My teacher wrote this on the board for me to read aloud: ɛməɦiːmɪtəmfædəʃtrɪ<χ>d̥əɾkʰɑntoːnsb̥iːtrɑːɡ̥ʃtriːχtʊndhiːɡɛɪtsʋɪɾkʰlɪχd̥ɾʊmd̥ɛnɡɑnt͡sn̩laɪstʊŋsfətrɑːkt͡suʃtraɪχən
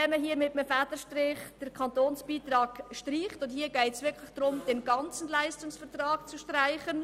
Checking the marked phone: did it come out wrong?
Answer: no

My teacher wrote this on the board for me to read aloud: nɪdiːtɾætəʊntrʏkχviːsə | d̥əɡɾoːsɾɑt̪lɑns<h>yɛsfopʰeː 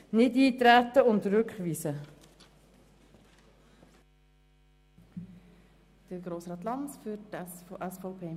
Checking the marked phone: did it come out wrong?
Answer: yes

